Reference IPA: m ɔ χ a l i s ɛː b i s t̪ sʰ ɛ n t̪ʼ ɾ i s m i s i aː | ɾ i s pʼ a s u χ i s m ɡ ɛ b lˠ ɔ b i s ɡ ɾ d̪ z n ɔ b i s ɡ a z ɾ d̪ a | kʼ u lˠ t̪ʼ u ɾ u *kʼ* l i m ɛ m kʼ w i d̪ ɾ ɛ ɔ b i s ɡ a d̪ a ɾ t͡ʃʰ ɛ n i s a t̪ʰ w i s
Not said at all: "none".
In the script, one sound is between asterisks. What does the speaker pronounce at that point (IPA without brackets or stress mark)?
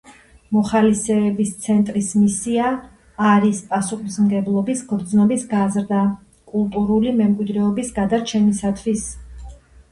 none